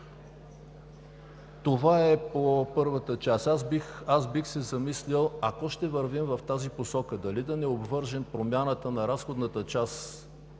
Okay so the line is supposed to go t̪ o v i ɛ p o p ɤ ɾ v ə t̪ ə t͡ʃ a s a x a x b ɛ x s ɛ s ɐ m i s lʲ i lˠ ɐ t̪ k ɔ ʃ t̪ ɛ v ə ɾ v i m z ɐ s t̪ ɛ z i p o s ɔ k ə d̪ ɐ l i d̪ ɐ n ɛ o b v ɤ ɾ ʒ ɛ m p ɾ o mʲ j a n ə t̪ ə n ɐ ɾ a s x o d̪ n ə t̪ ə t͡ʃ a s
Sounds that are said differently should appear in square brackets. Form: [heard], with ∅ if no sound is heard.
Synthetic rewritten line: t̪ o v [a] ɛ p o p ɤ ɾ v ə t̪ ə t͡ʃ a s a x a [s] b [i] x s ɛ [z] ɐ m i s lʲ i lˠ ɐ [∅] k ɔ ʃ t̪ ɛ v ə ɾ v i m [v] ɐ [f] t̪ [a] z i p o s ɔ k ə d̪ ɐ l i d̪ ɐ n ɛ o b v ɤ ɾ ʒ ɛ m p ɾ o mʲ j a n ə t̪ ə n ɐ ɾ a s x o d̪ n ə t̪ ə t͡ʃ a s